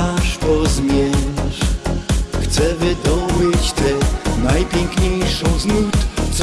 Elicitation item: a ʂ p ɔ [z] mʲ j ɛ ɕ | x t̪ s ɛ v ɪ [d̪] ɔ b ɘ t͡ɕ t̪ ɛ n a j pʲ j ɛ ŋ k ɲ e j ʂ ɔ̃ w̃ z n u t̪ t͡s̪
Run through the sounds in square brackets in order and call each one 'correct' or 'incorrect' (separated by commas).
correct, correct